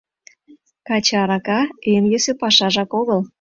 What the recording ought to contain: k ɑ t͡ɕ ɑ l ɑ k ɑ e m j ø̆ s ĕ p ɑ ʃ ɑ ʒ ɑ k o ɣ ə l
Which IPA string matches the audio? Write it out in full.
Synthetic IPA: k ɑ t͡ɕ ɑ ɾ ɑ k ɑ e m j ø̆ s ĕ p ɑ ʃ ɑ ʒ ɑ k o ɣ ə l

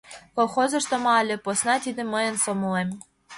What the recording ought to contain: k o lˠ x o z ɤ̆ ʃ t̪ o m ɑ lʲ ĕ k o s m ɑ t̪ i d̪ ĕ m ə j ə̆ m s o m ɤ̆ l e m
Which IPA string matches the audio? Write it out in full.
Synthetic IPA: k o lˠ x o z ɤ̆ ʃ t̪ o m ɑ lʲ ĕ p o s n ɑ t̪ i d̪ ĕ m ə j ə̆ n s o m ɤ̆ l e m

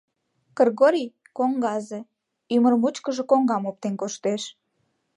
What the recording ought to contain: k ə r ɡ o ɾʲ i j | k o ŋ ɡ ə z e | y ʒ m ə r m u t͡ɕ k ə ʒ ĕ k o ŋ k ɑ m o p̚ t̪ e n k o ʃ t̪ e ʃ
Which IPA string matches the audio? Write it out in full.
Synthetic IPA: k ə r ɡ o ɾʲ i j | k o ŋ ɡ ɑ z e | y m ə r m u t͡ɕ k ə ʒ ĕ k o ŋ ɡ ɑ m o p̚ t̪ e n k o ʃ t̪ e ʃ

